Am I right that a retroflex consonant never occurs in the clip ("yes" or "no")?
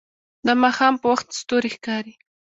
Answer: yes